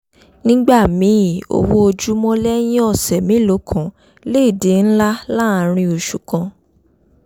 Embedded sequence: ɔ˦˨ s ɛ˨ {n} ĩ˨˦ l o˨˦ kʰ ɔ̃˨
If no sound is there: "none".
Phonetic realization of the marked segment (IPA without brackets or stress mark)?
m